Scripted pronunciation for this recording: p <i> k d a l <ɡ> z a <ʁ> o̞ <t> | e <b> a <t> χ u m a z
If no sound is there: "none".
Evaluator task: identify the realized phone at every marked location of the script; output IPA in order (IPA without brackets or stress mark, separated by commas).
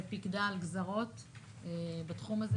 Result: i, ɡ, ʁ, t, b, t